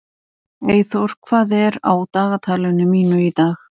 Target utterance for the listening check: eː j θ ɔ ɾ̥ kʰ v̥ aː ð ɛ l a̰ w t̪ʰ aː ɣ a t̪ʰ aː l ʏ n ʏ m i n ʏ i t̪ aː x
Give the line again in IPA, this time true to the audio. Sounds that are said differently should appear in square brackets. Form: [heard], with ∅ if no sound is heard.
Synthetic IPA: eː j θ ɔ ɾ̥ kʰ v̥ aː ð ɛ [ɾ] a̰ w [t̪] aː ɣ a t̪ʰ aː l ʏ n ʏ m [iː] n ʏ i t̪ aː x